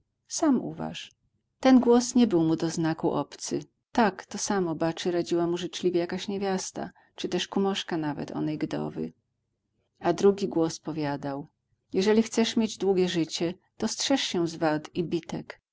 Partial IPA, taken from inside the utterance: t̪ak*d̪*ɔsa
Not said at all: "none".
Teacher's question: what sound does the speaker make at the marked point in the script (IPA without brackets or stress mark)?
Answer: t̪